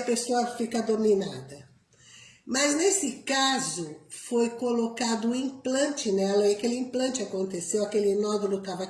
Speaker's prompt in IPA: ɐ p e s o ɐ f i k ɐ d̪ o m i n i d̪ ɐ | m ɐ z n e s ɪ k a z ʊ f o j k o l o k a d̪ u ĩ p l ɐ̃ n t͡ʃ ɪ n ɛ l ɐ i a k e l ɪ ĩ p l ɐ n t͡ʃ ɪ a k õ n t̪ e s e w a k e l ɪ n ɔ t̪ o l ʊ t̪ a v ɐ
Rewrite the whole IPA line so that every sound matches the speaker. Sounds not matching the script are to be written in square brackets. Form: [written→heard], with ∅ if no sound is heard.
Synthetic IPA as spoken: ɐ p e s o ɐ f i k ɐ d̪ o m i n [i→a] d̪ ɐ | m ɐ z n e s ɪ k a z ʊ f o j k o l o k a d̪ [u→ʊ] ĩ p l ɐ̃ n t͡ʃ ɪ n ɛ l ɐ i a k e l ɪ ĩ p l [ɐ→ɐ̃] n t͡ʃ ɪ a k õ n t̪ e s e w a k e l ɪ n ɔ [t̪→d̪] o l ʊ t̪ a v ɐ

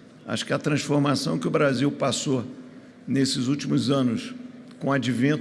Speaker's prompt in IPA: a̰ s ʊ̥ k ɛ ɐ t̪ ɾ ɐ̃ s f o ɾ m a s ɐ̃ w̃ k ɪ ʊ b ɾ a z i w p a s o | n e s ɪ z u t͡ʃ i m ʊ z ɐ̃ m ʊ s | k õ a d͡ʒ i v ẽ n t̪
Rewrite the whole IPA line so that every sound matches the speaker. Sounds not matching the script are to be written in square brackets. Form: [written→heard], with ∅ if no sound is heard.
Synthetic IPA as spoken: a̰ [s→ʃ] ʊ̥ k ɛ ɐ t̪ ɾ ɐ̃ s f o ɾ m a s ɐ̃ w̃ k ɪ ʊ b ɾ a z i w p a s o | n e s ɪ z u t͡ʃ i m ʊ z ɐ̃ [m→n] ʊ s | k õ a d͡ʒ i v ẽ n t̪

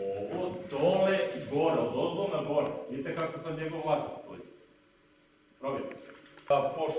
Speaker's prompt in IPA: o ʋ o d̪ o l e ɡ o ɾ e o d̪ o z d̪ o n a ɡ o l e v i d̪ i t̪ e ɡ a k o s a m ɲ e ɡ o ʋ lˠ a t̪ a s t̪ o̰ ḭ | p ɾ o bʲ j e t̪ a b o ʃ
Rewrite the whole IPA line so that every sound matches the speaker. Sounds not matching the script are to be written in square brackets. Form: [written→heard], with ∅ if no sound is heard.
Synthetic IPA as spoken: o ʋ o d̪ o l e ɡ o ɾ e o d̪ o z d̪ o n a ɡ o [l→ɾ] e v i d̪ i t̪ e [ɡ→k] a k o s a m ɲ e ɡ o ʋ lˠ a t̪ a s t̪ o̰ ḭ | p ɾ o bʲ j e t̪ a [b→p] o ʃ

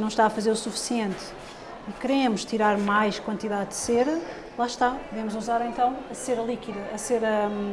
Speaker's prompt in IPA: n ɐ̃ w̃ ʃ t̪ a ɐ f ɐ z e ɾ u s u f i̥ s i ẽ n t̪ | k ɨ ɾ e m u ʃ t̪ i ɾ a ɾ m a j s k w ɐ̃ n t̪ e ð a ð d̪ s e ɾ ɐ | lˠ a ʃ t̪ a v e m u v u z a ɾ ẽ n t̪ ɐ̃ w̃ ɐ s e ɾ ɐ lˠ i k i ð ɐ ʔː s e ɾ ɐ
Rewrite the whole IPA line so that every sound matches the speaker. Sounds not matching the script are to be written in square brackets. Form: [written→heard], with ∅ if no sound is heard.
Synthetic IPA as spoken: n ɐ̃ w̃ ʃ t̪ a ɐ f ɐ z e ɾ u s u f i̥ s i ẽ n t̪ | k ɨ ɾ e m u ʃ t̪ i ɾ a ɾ m a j [s→ʃ] k w ɐ̃ n t̪ [e→i] ð a ð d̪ s e ɾ ɐ | lˠ a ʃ t̪ a v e m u [v→z] u z a ɾ ẽ n t̪ ɐ̃ w̃ ɐ s e ɾ ɐ lˠ i k i ð ɐ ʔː s e ɾ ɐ

